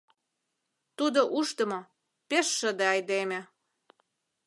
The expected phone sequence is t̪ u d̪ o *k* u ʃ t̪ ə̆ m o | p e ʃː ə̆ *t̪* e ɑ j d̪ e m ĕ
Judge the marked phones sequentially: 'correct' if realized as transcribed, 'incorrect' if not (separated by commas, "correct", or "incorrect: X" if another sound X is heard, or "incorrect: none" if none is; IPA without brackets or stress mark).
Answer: incorrect: ʔ, incorrect: d̪